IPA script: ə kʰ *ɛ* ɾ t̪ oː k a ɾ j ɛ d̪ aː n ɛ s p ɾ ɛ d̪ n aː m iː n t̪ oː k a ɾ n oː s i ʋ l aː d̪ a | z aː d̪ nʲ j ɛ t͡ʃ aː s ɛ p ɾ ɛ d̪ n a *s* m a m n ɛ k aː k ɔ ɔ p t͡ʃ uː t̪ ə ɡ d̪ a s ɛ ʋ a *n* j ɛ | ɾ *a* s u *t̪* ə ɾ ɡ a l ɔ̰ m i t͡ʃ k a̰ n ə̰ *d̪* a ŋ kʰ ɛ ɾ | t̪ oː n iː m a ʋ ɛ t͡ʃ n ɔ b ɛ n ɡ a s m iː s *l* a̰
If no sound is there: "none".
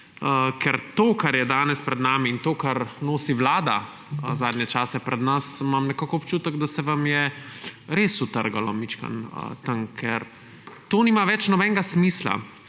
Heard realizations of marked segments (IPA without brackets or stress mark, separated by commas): ɛ, s, m, e, t̪, t̪, l